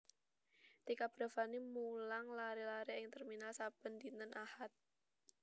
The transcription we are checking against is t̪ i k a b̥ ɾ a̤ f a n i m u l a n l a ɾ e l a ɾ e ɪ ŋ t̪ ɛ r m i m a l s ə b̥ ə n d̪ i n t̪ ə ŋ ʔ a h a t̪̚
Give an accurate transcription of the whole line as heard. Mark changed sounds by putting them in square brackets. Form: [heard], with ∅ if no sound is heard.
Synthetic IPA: t̪ i k a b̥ ɾ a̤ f a n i m u l a [ŋ] l a ɾ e l a ɾ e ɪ ŋ t̪ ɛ r m i [n] a l s [a] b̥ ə n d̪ i n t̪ ə [n] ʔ a h a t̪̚